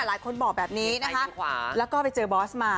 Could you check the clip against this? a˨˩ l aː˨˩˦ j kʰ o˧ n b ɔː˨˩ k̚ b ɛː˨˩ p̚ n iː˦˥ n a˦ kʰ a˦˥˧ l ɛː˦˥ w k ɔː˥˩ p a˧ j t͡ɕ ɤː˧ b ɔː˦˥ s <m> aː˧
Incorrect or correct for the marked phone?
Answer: correct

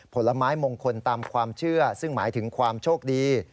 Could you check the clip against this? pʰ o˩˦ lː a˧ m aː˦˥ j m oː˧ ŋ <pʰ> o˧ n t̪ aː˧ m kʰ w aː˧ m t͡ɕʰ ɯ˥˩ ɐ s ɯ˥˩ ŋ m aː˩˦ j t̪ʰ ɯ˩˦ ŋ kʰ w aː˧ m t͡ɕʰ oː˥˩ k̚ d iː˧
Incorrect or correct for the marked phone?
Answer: incorrect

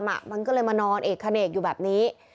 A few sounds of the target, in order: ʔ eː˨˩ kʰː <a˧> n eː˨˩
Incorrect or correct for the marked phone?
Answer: correct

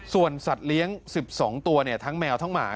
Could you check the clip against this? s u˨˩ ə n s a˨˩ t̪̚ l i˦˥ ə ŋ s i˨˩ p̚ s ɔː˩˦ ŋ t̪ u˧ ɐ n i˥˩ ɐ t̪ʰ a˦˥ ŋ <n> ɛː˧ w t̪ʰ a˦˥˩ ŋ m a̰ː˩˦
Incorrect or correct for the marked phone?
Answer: incorrect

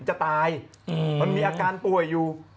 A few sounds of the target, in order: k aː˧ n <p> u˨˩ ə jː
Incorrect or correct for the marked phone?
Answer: correct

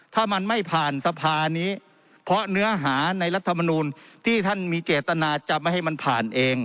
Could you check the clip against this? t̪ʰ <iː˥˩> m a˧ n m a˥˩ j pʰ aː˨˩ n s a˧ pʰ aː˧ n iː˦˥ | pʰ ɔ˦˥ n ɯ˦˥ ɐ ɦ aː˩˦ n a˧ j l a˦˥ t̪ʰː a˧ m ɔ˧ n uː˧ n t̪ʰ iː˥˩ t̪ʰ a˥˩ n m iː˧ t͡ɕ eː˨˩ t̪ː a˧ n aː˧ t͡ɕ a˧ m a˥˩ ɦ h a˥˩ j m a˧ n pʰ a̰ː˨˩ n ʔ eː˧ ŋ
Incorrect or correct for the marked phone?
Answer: incorrect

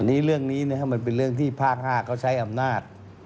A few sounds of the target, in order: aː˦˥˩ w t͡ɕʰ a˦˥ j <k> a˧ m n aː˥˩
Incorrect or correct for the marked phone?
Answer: incorrect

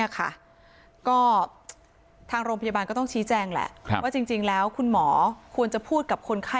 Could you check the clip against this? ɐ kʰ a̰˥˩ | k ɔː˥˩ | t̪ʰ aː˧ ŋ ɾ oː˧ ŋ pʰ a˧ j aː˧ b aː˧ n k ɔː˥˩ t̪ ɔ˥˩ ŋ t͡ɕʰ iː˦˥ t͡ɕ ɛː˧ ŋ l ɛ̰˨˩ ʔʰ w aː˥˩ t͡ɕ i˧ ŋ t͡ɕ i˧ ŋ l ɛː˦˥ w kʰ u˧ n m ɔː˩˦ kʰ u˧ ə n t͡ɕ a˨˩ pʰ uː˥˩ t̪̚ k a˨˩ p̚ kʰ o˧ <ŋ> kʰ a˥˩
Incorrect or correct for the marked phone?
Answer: incorrect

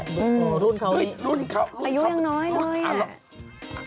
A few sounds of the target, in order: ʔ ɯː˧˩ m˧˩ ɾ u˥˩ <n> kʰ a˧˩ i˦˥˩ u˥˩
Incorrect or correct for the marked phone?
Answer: correct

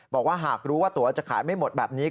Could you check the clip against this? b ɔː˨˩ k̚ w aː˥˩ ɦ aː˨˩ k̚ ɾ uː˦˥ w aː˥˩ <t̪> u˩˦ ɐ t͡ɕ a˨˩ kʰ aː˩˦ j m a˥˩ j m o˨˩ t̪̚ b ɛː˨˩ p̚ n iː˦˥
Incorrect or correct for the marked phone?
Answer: correct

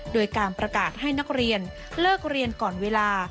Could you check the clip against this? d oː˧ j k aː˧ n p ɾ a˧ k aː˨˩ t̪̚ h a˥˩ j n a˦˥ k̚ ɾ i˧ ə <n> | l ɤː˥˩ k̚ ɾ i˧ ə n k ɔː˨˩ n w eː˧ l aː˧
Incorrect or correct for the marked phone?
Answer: correct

